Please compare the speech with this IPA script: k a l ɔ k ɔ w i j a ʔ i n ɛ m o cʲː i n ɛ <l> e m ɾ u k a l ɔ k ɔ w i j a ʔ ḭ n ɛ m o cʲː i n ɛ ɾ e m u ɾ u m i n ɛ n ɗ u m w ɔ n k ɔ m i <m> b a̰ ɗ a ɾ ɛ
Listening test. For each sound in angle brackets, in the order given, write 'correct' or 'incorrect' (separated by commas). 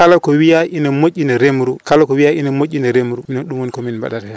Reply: incorrect, incorrect